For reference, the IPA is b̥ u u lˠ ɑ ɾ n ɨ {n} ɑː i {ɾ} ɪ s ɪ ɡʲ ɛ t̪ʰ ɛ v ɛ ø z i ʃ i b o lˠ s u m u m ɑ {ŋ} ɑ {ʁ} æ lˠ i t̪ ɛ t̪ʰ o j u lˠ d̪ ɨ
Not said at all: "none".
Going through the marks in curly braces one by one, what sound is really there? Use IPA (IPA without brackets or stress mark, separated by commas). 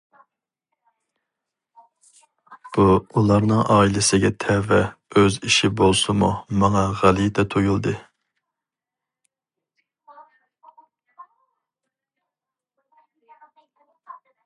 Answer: ŋ, l, ŋ, ʁ